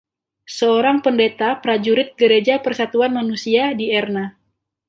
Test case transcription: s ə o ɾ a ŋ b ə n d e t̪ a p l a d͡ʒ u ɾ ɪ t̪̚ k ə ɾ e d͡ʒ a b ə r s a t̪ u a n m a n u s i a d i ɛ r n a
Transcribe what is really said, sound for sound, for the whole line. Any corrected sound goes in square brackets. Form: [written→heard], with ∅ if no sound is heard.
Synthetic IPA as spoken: s ə o ɾ a ŋ [b→p] ə n d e t̪ a p [l→ɾ] a d͡ʒ u ɾ ɪ t̪̚ [k→ɡ] ə ɾ e d͡ʒ a [b→p] ə r s a t̪ u a n m a n u s i a d i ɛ r n a